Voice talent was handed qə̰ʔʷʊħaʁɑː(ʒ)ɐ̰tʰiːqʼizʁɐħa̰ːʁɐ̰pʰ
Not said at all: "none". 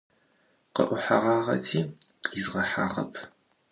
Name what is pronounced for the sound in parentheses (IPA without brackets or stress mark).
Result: ʁ